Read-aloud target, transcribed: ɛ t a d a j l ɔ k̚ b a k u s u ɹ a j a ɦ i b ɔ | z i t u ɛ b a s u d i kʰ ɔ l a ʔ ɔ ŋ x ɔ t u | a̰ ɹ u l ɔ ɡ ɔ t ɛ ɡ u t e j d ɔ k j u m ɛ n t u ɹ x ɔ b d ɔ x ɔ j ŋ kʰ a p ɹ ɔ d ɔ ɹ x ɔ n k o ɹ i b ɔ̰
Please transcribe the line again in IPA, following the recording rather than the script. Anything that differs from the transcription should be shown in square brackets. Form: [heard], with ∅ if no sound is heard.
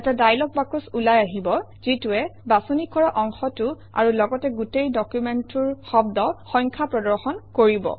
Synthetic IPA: ɛ t a d a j l ɔ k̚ b a k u s u [l] a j a ɦ i b ɔ | z i t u ɛ b a s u [n] i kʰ ɔ [ɹ] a ʔ ɔ ŋ x ɔ t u | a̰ ɹ u l ɔ ɡ ɔ t ɛ ɡ u t e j d ɔ k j u m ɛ n t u ɹ x ɔ b d ɔ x ɔ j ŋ kʰ a p ɹ ɔ d ɔ ɹ x ɔ n k o ɹ i b ɔ̰